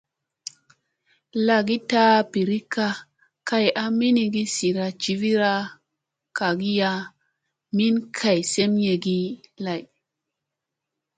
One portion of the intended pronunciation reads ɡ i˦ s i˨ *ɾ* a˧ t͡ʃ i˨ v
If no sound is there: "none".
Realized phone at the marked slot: ɾ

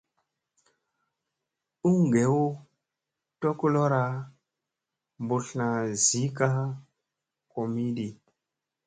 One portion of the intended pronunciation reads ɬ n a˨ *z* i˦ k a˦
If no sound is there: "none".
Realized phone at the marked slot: z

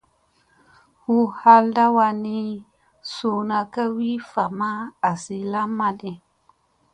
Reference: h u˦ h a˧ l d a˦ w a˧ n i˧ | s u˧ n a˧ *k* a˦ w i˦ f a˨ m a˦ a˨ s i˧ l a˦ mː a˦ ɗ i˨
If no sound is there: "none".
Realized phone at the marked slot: k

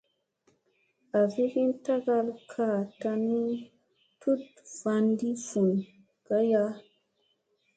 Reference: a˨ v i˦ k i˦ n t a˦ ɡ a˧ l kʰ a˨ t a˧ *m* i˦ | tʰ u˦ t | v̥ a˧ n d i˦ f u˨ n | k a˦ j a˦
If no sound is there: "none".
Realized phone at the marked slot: n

